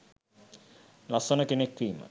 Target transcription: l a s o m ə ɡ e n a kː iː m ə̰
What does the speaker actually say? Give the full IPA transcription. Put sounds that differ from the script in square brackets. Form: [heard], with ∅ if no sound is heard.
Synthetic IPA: l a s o [n] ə [k] e n [e] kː iː m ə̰